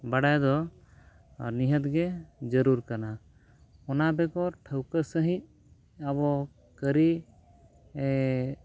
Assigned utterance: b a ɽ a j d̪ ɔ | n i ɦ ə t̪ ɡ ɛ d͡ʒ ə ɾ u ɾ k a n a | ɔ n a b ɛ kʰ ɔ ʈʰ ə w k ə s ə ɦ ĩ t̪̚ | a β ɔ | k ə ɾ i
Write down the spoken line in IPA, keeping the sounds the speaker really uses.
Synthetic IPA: b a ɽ a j d̪ ɔ | n i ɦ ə t̪ ɡ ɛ d͡ʒ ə ɾ u ɾ k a n a | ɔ n a b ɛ k ɔ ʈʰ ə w k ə s ə ɦ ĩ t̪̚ | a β ɔ | k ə ɾ i